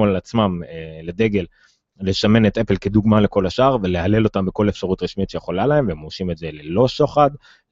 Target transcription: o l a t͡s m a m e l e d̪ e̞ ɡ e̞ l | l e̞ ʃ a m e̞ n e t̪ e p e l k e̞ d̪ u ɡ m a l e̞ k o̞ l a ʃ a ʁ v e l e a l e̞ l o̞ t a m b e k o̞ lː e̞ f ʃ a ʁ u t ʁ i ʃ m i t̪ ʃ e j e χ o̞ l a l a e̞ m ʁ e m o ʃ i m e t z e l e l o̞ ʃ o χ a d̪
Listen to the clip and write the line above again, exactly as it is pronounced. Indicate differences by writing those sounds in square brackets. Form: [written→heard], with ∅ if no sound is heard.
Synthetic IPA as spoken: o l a t͡s m a m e l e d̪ e̞ ɡ e̞ l | l e̞ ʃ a m e̞ n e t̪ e p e l k e̞ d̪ u ɡ m a l e̞ k o̞ l a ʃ a ʁ v e l e a l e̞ l o̞ t a m b e k o̞ [lː→l] e̞ f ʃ a ʁ u t ʁ i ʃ m i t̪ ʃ e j e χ o̞ l a l a e̞ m [ʁ→v] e m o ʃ i m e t z e l e l o̞ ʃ o χ a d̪